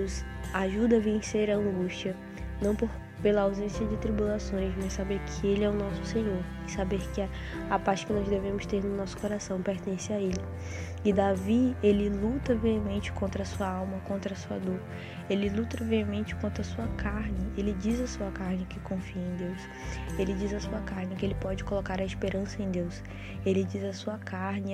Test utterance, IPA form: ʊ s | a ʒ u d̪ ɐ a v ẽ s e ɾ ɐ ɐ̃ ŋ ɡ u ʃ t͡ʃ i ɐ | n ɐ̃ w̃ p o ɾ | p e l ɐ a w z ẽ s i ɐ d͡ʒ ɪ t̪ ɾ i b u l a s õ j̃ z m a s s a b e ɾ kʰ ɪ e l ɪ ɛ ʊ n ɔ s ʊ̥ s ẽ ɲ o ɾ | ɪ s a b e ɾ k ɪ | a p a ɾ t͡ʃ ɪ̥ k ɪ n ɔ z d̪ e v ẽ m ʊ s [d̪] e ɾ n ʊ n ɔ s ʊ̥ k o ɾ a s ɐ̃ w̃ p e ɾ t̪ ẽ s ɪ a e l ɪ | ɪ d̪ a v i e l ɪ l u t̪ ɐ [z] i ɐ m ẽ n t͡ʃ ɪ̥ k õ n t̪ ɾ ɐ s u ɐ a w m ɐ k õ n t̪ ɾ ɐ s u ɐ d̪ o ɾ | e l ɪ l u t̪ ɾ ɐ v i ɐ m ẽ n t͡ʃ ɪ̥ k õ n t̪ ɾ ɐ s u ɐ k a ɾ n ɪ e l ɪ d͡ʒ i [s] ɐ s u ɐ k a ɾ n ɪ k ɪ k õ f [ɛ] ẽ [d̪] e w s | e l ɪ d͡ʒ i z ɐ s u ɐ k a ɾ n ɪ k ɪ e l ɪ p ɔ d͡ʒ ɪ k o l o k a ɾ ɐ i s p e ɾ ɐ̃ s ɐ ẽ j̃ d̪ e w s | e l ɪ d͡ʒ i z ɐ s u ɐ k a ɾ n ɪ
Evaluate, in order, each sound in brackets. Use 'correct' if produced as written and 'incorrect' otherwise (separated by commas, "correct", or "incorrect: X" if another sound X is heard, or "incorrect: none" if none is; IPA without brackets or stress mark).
incorrect: t̪, incorrect: v, incorrect: z, incorrect: i, correct